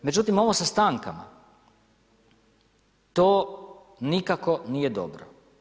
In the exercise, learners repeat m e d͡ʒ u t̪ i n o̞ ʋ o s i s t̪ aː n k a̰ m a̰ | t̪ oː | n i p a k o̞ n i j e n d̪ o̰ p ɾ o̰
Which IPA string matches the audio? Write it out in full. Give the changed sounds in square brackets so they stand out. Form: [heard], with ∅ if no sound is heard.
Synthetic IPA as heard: m e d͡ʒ u t̪ i [m] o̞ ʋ o s [a] s t̪ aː [ŋ] k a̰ m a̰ | t̪ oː | n i [k] a k o̞ n i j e [∅] d̪ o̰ [b] ɾ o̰